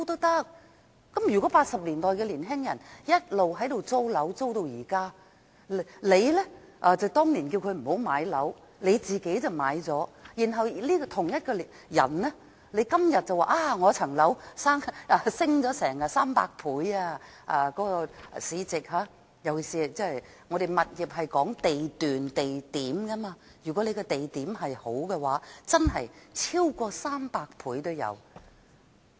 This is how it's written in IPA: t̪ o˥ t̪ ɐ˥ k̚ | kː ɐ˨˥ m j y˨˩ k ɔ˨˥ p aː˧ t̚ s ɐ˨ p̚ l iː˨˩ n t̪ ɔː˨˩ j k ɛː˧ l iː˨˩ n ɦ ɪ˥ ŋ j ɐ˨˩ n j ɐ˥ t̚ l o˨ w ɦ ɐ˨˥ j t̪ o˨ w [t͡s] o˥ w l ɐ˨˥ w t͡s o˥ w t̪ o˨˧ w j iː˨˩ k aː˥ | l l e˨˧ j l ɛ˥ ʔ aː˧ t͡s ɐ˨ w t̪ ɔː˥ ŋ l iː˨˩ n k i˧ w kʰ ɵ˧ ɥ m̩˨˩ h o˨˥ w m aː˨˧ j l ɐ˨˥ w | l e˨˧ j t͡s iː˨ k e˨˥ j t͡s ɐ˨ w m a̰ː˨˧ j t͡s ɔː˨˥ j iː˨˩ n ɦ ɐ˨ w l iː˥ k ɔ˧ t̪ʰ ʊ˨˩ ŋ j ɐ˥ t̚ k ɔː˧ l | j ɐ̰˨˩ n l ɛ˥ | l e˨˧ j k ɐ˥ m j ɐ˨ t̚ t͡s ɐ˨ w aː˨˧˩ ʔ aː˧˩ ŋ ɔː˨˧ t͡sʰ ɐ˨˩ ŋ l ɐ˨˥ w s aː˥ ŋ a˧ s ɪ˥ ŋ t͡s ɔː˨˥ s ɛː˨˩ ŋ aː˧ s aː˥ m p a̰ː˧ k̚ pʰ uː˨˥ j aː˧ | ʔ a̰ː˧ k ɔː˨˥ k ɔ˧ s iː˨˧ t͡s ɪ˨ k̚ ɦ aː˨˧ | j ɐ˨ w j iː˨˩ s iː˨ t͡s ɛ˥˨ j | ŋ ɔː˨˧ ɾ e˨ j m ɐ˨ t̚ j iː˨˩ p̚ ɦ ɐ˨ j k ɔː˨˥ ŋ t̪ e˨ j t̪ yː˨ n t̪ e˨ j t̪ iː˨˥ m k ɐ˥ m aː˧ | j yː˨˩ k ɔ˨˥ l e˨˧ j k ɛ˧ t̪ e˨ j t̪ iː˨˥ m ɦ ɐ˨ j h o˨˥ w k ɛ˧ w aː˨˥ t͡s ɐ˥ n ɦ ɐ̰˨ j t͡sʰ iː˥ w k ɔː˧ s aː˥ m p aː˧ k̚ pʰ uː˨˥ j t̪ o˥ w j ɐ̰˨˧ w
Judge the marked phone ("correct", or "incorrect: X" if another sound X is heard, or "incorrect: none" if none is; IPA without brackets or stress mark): correct